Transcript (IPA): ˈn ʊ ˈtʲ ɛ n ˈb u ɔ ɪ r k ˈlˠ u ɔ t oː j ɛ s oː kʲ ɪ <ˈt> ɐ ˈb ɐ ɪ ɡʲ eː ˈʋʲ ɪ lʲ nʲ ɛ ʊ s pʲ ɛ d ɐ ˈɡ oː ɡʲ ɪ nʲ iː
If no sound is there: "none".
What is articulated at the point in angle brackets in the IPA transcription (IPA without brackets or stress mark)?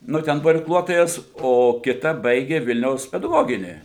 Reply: t